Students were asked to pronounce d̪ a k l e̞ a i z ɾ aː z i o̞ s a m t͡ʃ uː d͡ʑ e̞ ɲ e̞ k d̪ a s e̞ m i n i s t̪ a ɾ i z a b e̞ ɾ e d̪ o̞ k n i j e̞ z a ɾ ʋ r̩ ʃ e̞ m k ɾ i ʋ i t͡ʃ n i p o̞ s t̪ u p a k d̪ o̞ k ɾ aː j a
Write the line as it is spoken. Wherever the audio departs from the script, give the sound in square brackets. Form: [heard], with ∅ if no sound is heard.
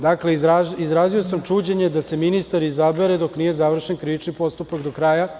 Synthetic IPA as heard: d̪ a k l e̞ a i z ɾ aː z i o̞ s a m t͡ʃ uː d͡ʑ e̞ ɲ e̞ [∅] d̪ a s e̞ m i n i s t̪ a ɾ i z a b e̞ ɾ e d̪ o̞ k n i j e̞ z a [∅] ʋ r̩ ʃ e̞ [n] k ɾ i ʋ i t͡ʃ n i p o̞ s t̪ u p a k d̪ o̞ k ɾ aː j a